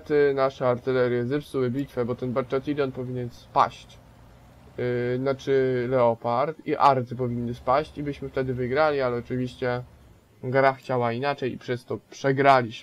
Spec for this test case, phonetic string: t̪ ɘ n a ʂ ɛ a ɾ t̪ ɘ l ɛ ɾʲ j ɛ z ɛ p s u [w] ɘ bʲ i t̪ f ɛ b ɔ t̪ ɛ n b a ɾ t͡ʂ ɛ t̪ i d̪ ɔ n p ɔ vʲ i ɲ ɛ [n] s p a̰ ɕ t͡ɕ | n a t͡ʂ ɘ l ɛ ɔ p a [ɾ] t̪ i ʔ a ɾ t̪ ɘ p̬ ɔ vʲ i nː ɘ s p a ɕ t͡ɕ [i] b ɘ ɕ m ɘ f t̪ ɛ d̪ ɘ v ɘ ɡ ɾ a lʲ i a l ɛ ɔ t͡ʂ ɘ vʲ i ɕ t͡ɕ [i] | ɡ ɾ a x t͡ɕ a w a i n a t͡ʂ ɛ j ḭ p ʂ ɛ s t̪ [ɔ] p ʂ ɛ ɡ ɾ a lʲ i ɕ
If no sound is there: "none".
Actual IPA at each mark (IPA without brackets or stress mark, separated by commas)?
w, n, ɾ, i, ɛ, ɔ